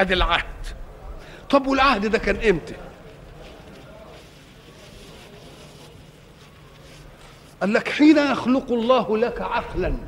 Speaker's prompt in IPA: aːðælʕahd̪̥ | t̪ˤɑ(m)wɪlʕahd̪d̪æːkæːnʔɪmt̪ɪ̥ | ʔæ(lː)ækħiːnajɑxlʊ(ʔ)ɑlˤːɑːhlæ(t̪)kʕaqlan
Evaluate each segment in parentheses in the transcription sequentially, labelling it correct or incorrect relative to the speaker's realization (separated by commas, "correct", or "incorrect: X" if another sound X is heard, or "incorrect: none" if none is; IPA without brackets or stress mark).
incorrect: b, correct, incorrect: q, incorrect: none